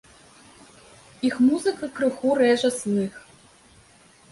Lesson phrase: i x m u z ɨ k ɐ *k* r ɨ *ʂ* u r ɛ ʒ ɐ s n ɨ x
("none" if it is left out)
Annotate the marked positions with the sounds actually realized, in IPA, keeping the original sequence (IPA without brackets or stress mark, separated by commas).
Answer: k, x